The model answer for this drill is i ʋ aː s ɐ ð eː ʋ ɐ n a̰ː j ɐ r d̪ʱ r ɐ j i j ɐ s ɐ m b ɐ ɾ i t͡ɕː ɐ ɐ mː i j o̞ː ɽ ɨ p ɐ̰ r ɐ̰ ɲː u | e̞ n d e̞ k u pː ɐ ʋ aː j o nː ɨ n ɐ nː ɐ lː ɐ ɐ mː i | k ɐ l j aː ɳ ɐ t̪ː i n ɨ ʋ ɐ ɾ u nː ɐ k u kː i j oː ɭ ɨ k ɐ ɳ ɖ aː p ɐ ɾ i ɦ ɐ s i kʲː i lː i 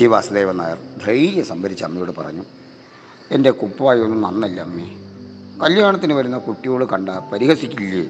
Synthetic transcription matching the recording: i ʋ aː s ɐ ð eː ʋ ɐ n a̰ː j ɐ r d̪ʱ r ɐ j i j ɐ s ɐ m b ɐ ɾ i t͡ɕː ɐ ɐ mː i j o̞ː ɽ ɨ p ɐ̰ r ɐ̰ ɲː u | e̞ n d e̞ k u pː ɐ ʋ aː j o nː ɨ n ɐ nː ɐ lː ɐ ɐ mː i | k ɐ l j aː ɳ ɐ t̪ː i n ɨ ʋ ɐ ɾ u nː ɐ k u ʈː i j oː ɭ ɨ k ɐ ɳ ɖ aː p ɐ ɾ i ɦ ɐ s i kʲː i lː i